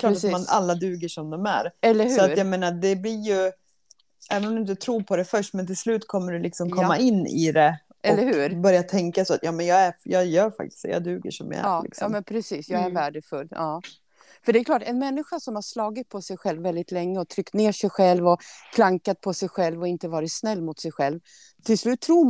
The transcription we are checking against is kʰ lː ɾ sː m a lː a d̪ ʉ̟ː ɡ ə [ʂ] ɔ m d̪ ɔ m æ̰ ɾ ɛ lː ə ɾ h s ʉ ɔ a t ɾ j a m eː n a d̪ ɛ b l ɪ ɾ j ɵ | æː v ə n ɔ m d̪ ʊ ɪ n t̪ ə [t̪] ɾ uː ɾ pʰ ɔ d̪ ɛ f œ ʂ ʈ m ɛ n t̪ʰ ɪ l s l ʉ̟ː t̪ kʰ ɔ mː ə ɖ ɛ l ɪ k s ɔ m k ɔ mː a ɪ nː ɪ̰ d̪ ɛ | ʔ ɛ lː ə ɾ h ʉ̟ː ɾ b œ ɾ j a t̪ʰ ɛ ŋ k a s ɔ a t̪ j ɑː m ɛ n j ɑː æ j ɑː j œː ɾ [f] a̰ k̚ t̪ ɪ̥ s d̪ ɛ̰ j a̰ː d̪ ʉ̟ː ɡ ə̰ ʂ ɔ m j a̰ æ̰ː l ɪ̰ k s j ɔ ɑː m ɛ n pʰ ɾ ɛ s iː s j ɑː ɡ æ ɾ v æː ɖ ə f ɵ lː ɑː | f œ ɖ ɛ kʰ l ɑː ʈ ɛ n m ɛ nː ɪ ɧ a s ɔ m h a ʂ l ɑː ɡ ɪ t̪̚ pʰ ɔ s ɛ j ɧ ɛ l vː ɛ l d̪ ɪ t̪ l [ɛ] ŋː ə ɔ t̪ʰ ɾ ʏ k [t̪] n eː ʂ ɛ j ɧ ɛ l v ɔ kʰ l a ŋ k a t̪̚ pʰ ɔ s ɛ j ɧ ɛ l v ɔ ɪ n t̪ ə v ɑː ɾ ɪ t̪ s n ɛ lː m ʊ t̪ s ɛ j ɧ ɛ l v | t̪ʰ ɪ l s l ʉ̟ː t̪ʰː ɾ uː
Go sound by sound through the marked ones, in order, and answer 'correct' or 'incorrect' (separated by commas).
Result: correct, incorrect, correct, correct, correct